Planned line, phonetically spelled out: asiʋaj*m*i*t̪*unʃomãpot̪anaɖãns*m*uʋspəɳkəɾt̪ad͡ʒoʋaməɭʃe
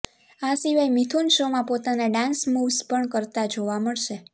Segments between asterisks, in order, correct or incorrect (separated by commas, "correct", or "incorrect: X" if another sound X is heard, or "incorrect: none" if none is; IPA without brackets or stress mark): correct, incorrect: t̪ʰ, correct